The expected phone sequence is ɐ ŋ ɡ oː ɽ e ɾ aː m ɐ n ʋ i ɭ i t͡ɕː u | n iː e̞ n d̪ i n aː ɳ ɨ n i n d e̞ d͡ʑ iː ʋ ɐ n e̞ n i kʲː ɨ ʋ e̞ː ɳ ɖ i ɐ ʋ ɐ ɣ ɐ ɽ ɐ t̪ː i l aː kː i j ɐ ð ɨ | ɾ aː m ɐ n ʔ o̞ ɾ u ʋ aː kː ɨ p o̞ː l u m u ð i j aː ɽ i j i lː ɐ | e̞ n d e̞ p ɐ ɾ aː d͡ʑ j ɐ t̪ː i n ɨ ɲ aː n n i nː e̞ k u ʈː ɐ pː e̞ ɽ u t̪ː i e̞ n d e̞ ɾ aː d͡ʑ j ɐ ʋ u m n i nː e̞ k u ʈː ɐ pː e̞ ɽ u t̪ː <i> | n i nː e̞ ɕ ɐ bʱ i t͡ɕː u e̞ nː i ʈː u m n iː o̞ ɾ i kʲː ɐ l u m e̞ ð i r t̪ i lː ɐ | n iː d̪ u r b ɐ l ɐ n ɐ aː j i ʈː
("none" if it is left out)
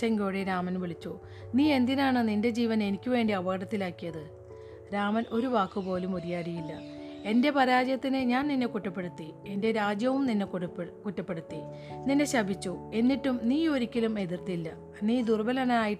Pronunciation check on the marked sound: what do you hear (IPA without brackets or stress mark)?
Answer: i